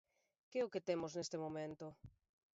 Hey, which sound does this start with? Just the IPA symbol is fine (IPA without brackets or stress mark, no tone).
k